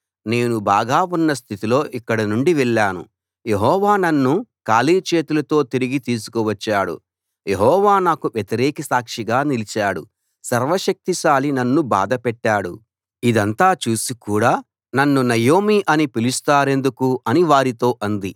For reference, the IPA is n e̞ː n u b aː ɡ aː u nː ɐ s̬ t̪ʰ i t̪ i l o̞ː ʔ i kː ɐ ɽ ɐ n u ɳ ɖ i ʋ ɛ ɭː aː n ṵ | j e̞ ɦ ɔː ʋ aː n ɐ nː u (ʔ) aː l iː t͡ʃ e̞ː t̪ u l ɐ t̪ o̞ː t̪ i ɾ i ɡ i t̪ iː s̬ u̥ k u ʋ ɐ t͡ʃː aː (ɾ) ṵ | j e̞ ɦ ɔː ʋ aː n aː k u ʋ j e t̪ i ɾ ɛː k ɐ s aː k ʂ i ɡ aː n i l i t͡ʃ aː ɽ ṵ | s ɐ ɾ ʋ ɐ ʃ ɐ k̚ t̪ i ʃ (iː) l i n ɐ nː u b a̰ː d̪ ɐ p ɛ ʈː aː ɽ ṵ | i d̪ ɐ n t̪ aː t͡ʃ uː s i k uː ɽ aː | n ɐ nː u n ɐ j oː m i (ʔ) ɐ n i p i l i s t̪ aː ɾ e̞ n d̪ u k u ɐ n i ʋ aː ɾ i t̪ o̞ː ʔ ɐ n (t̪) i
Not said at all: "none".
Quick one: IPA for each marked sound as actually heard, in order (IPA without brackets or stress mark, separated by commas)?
k, ɽ, aː, ʔ, d̪